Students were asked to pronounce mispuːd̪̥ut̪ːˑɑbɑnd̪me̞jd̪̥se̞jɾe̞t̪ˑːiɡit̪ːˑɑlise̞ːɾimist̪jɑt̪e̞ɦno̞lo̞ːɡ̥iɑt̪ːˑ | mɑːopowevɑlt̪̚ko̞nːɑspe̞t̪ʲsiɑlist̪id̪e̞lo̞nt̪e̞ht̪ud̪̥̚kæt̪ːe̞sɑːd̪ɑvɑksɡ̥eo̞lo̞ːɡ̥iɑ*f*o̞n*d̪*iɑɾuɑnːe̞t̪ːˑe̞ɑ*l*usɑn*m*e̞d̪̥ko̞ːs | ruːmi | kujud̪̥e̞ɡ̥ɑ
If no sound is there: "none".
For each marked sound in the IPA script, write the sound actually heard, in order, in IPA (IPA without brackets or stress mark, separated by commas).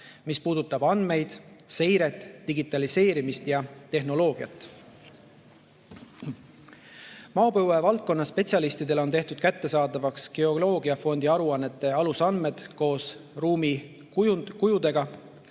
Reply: f, d̪, l, m